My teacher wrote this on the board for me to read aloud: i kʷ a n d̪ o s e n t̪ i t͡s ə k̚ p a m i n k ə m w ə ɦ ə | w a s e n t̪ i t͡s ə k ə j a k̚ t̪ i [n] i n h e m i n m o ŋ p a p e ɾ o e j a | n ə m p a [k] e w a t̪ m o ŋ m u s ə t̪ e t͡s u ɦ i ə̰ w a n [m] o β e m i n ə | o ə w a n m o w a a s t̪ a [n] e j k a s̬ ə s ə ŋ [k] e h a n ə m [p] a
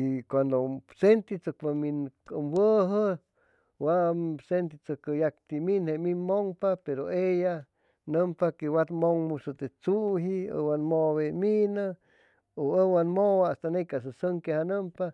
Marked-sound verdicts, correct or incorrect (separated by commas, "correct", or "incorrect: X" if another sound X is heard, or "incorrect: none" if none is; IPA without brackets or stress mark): incorrect: m, correct, correct, correct, correct, correct